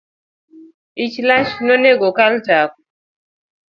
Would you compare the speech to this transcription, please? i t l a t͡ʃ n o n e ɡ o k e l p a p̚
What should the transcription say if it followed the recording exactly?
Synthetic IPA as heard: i t͡ʃ l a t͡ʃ n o n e ɡ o k a l t a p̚